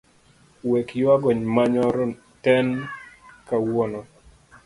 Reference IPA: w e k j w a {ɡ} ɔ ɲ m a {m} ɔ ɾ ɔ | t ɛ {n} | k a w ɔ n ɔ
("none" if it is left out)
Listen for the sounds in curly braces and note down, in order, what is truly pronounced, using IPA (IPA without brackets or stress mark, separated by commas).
ɡ, ɲ, n